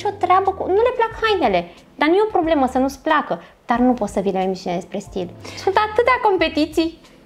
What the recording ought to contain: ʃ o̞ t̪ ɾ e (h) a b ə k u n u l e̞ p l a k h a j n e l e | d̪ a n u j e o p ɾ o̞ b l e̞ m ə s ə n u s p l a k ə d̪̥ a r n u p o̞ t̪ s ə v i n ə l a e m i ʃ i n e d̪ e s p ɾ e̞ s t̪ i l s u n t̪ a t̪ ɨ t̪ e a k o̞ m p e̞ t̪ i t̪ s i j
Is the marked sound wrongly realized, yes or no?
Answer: yes